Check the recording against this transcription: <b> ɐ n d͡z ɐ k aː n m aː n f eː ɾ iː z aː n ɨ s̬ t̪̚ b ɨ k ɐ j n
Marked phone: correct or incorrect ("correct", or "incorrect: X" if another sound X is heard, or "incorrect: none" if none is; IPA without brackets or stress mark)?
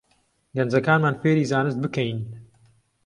incorrect: ɡ